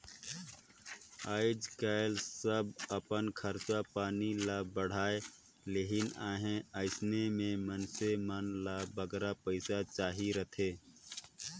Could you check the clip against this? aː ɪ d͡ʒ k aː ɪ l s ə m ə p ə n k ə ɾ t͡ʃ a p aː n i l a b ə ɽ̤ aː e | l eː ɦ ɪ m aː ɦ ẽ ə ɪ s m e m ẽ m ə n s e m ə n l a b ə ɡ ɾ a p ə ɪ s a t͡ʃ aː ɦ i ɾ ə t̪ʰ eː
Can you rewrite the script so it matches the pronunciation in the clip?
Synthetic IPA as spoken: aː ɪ d͡ʒ k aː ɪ l s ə b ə p ə n kʰ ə ɾ t͡ʃ a p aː n i l a b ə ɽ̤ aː e | l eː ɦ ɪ n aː ɦ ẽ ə ɪ s n e m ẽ m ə n s e m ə n l a b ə ɡ ɾ a p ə ɪ s a t͡ʃ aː ɦ i ɾ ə t̪ʰ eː